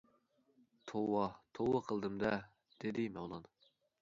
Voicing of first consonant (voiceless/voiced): voiceless